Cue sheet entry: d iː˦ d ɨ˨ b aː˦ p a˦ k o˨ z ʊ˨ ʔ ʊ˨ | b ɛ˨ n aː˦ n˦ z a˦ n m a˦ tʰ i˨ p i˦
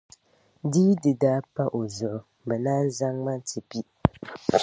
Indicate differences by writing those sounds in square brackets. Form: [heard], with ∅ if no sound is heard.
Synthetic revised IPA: d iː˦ d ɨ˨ [d] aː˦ p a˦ [ʔ] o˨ z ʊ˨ ʔ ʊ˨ | b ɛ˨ n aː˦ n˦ z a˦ [ŋ] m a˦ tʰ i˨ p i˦